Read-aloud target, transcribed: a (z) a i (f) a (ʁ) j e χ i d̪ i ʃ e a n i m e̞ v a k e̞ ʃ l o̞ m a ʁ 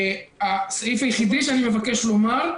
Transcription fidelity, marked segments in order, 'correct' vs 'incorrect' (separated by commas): incorrect, correct, incorrect